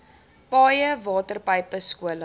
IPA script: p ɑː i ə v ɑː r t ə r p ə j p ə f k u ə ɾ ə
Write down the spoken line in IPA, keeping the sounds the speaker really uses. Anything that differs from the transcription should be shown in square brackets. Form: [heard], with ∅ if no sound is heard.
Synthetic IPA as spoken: p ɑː [j] ə v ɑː [∅] t ə r p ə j p ə [s] k u ə [l] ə